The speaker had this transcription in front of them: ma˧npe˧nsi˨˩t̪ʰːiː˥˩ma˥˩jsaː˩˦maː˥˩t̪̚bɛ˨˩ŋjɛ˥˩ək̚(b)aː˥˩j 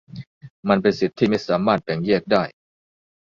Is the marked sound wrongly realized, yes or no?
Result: yes